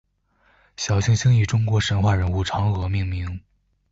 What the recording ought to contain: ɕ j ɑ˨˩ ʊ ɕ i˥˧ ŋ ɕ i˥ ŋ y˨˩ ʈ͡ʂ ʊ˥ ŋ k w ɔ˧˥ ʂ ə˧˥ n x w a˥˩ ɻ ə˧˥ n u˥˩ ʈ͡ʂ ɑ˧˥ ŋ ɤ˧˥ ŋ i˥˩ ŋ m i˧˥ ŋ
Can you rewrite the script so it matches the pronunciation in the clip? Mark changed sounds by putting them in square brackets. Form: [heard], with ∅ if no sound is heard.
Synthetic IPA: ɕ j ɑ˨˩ ʊ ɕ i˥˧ ŋ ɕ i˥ ŋ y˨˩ ʈ͡ʂ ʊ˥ ŋ k w ɔ˧˥ ʂ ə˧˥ n x w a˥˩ ɻ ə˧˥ n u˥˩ [ʈ͡ʂʰ] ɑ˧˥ ŋ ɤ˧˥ [m] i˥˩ ŋ m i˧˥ ŋ